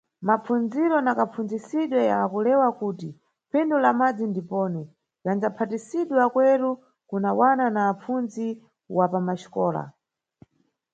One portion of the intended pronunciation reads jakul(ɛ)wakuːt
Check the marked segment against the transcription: correct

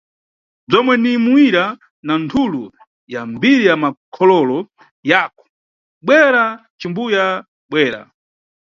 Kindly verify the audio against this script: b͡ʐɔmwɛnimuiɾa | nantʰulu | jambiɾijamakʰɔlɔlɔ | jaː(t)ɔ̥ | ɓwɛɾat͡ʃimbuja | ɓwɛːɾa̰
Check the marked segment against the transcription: incorrect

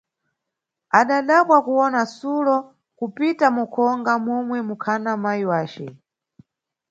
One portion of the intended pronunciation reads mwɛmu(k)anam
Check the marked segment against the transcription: incorrect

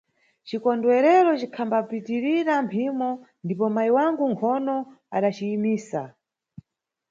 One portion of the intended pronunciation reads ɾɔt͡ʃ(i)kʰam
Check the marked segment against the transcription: correct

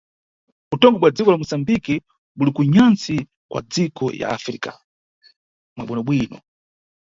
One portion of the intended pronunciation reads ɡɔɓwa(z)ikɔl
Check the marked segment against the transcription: incorrect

